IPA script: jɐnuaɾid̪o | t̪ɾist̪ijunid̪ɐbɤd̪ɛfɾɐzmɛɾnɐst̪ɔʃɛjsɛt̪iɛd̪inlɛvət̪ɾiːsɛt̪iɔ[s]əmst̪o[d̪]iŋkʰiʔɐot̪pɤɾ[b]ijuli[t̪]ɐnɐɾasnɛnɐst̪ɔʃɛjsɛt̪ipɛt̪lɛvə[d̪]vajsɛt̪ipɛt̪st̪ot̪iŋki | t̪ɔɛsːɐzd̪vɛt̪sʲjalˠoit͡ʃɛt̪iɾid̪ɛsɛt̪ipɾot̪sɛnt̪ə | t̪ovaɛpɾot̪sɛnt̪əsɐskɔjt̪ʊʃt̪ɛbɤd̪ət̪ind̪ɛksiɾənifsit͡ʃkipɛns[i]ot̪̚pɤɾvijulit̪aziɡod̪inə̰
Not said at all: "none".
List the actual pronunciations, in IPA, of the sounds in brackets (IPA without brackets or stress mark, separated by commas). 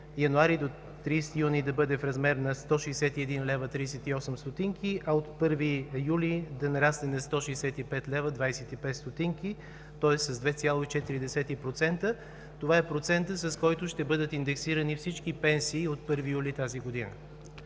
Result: s, t̪, v, d̪, d̪, iː